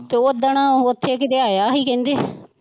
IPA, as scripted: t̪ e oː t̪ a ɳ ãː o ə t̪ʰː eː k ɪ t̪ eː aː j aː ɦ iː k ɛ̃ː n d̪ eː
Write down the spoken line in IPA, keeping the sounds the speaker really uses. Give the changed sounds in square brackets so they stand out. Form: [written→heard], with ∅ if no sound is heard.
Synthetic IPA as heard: t̪ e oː [t̪→d̪] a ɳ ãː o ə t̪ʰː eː k ɪ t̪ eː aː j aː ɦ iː k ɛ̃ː n d̪ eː